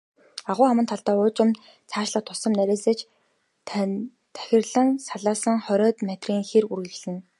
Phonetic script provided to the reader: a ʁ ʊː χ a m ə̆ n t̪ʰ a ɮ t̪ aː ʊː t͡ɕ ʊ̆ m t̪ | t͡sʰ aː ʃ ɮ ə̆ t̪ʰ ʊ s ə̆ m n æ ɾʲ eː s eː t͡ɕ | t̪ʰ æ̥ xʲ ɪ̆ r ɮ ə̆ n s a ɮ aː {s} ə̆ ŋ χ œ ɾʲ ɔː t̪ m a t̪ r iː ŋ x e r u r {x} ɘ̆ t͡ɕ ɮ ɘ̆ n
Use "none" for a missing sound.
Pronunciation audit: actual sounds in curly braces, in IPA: s, ɣ

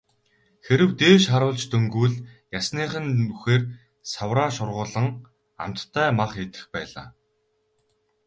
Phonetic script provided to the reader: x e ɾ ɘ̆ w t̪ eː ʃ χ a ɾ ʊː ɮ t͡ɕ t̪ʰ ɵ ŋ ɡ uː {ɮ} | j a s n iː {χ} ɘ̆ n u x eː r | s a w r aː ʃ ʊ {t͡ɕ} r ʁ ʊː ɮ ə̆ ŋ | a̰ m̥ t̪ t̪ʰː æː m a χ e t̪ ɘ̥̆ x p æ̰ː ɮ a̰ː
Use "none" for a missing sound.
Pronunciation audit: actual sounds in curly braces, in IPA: ɮ, χ, none

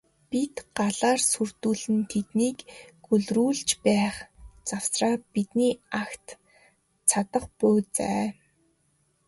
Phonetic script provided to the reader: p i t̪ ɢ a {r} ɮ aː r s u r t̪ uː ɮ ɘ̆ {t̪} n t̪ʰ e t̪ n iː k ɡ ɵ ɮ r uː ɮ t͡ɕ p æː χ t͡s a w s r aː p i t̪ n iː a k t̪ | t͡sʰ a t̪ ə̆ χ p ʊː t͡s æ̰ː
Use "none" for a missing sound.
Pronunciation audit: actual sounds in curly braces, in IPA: none, none

